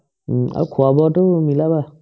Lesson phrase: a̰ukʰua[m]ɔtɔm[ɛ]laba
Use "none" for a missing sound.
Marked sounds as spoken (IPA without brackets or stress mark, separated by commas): b, i